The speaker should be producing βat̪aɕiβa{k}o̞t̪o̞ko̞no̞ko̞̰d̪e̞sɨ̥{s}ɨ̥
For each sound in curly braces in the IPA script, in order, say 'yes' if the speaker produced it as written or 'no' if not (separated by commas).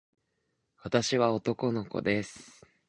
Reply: no, no